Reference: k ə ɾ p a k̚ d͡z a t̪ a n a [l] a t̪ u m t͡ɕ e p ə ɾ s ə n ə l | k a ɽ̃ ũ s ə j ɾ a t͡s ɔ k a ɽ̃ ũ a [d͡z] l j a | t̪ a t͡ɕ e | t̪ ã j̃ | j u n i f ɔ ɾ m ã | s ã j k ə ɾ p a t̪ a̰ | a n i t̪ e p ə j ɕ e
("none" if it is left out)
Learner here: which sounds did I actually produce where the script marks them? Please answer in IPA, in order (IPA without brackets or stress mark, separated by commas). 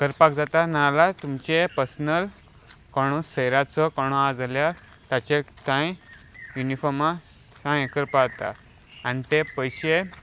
l, d͡z